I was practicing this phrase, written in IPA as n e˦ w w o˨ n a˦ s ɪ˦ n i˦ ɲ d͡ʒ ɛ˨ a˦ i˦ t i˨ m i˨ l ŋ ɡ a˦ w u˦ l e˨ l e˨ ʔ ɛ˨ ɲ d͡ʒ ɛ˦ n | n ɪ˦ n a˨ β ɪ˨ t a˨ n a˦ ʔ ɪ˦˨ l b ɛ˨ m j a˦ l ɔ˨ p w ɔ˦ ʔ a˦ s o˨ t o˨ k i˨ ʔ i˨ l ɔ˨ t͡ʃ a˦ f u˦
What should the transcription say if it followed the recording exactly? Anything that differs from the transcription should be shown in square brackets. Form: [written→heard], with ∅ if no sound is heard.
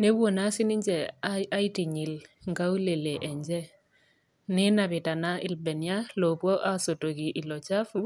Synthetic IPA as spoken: n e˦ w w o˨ n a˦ s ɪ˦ n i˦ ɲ d͡ʒ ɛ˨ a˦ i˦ t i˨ [m→ɲ] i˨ l ŋ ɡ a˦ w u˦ l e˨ l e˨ ʔ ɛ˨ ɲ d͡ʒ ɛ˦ [n→∅] | n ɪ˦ n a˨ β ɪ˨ t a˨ n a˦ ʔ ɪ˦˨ l b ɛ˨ [m→n] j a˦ l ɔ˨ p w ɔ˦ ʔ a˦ s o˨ t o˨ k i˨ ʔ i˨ l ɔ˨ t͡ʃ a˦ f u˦